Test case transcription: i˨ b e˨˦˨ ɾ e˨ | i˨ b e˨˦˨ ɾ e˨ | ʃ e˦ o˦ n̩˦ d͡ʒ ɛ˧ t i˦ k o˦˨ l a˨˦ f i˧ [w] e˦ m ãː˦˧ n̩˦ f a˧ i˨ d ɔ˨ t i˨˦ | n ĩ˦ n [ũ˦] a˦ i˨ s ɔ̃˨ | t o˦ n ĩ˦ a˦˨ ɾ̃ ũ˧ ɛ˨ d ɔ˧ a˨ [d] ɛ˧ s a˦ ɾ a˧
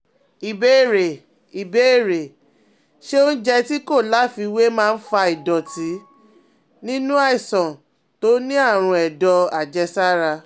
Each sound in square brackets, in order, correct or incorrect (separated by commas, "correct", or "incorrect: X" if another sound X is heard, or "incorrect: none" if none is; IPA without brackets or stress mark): correct, correct, incorrect: d͡ʒ